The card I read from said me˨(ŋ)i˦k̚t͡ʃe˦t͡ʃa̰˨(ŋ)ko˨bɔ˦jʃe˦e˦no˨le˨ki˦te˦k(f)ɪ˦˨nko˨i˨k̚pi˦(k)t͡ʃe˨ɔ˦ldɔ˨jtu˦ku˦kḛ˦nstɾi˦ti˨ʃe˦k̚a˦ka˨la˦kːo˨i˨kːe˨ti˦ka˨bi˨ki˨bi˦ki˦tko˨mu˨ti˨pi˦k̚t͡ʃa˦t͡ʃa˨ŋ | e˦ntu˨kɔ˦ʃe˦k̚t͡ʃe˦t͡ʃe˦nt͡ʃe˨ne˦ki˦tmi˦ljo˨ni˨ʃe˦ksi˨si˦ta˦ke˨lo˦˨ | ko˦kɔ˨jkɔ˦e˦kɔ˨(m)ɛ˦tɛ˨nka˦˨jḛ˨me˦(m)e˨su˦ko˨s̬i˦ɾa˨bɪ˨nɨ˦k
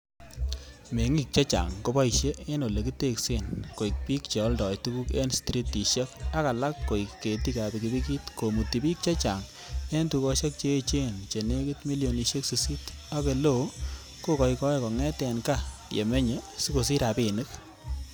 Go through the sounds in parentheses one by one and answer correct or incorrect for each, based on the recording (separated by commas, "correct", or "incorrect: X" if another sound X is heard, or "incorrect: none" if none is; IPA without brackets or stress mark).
correct, correct, incorrect: s, correct, incorrect: ŋ, incorrect: ɲ